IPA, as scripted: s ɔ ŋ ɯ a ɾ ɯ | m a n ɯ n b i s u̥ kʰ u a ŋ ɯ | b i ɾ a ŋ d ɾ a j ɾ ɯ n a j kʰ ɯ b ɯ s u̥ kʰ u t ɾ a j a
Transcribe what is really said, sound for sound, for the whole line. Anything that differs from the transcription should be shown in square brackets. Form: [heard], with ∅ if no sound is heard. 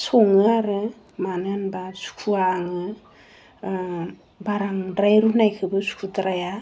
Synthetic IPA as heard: s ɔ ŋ ɯ a ɾ ɯ | m a n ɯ n b [a] s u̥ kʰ u a ŋ ɯ | b [a] ɾ a ŋ d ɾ a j ɾ [u] n a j kʰ ɯ b ɯ s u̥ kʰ u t ɾ a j a